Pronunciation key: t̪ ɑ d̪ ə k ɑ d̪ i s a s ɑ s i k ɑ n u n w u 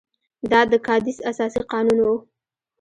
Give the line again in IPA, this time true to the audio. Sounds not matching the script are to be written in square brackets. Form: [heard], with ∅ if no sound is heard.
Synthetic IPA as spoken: [d̪] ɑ d̪ ə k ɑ d̪ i s a s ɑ s i [q] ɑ n u n w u